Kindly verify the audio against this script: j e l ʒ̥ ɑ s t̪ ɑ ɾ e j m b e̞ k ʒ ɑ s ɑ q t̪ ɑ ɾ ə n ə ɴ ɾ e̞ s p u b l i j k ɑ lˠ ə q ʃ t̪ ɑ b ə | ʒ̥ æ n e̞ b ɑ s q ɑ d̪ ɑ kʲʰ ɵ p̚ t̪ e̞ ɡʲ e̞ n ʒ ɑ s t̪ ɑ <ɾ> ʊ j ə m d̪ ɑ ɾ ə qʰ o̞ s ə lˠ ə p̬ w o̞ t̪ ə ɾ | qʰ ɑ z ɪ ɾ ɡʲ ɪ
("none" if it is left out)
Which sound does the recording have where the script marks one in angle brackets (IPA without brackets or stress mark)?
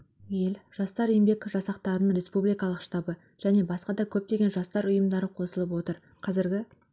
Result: ɾ